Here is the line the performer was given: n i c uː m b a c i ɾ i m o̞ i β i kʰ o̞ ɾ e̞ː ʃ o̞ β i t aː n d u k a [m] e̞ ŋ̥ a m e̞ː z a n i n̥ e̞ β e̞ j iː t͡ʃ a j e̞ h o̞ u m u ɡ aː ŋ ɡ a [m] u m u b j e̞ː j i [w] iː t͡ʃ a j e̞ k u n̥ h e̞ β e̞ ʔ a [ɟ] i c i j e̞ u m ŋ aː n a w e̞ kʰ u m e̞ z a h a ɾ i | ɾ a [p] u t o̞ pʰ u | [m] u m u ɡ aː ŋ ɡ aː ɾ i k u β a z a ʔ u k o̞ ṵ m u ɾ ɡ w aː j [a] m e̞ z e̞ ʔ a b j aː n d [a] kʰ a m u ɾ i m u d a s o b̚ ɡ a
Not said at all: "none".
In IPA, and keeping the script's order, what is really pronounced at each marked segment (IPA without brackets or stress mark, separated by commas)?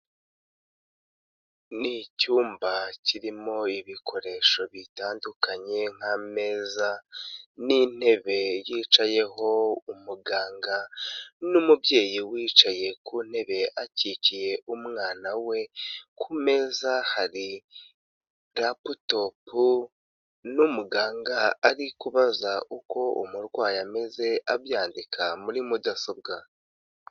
ɲ, n, w, c, p, n, a, i